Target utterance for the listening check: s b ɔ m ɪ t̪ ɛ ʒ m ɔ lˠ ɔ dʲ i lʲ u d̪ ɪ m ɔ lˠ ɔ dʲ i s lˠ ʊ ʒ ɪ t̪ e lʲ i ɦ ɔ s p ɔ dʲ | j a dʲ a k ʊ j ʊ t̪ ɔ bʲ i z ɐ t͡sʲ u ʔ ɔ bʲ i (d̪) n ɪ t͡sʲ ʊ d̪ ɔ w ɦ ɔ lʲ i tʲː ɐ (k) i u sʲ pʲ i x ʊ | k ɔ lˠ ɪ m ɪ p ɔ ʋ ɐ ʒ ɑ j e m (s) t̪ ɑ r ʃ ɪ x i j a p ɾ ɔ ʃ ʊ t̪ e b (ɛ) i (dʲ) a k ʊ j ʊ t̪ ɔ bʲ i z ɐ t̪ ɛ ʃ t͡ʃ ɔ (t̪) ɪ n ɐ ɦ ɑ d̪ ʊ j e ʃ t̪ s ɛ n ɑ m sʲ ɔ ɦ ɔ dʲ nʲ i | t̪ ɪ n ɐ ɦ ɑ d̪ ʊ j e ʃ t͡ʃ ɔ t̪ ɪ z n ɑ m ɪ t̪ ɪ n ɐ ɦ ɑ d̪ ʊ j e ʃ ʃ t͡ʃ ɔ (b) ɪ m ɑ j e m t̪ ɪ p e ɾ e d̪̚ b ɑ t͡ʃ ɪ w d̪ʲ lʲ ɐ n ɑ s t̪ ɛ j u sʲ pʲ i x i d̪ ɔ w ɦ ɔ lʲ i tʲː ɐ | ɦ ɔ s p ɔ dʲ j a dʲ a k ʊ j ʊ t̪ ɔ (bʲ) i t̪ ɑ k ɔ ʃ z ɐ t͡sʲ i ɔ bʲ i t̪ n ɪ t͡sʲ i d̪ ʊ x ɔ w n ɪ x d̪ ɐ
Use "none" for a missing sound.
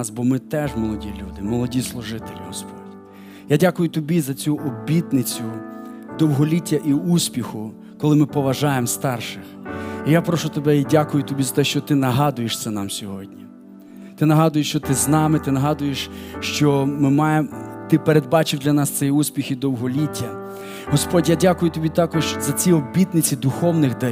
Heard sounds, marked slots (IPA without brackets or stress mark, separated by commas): t̪, ʔ, s, ɛ, dʲ, t̪, m, bʲ